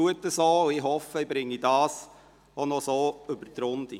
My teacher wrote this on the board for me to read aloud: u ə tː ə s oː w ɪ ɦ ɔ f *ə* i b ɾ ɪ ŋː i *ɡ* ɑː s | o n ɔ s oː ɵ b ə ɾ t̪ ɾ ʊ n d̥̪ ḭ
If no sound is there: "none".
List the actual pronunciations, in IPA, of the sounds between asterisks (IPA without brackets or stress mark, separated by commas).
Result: ə, d